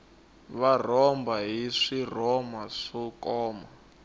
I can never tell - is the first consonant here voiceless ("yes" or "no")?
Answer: no